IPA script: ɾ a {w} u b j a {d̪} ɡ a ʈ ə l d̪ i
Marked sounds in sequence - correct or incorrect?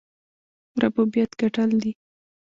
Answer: incorrect: b, incorrect: t̪

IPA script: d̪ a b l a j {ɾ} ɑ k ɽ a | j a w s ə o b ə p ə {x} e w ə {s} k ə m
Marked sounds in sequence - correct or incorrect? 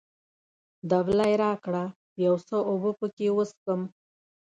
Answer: correct, incorrect: k, correct

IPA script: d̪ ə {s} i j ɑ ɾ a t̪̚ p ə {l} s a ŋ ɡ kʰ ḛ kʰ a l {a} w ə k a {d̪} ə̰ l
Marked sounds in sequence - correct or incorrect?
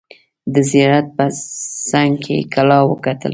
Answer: incorrect: z, incorrect: none, incorrect: ɑ, incorrect: t̪

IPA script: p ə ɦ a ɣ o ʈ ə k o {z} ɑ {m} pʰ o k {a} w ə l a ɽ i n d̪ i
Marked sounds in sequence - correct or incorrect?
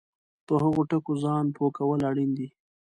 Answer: correct, incorrect: n, correct

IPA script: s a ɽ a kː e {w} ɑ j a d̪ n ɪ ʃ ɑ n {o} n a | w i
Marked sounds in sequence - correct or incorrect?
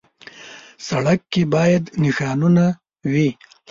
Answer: incorrect: b, incorrect: u

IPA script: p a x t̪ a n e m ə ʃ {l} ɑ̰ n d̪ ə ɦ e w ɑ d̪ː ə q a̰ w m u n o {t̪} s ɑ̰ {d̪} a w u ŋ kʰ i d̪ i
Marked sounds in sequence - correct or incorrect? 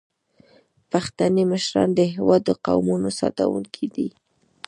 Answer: incorrect: ɾ, incorrect: none, incorrect: t̪

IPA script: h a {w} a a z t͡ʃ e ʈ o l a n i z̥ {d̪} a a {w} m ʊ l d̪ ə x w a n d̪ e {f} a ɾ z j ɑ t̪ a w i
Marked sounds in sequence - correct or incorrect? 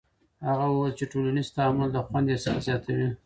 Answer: incorrect: ɣ, incorrect: t̪, incorrect: none, incorrect: s

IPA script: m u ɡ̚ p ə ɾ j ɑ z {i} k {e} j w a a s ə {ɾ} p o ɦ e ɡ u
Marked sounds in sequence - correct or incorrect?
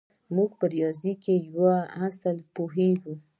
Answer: correct, correct, incorrect: l

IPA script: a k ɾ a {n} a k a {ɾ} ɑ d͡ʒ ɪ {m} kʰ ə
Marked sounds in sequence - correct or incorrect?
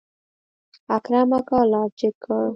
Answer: incorrect: m, incorrect: l, incorrect: none

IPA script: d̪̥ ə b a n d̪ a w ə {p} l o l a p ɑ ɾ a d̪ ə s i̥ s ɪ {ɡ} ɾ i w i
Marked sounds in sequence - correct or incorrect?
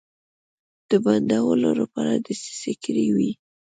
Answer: incorrect: none, incorrect: k

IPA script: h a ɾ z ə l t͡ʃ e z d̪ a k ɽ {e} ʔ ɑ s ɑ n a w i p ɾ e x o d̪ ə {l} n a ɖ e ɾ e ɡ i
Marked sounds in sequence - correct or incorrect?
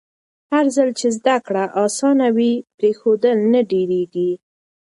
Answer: incorrect: a, correct

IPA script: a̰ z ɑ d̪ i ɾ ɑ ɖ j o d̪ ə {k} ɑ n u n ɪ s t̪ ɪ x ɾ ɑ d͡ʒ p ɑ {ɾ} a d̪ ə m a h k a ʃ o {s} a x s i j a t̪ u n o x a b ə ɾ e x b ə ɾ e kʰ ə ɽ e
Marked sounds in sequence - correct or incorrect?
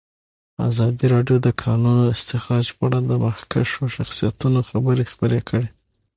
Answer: incorrect: kʰ, incorrect: ɽ, incorrect: ʃ

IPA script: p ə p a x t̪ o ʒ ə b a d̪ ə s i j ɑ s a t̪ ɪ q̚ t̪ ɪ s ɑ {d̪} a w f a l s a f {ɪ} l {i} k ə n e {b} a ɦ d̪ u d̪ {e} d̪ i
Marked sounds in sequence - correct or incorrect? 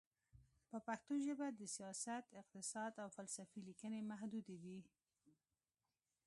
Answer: correct, incorrect: i, correct, incorrect: m, correct

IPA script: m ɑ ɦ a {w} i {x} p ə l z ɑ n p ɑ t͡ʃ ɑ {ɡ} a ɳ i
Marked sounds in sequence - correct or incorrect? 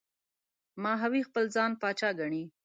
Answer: correct, correct, correct

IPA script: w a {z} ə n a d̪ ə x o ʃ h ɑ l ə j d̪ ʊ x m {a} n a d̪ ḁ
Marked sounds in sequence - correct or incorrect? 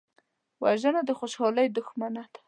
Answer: incorrect: ʒ, correct

